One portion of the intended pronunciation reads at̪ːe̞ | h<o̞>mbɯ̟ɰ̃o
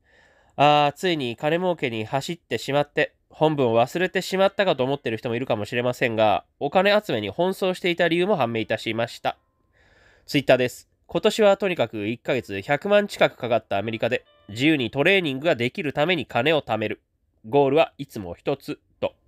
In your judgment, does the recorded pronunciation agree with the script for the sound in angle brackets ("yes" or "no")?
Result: no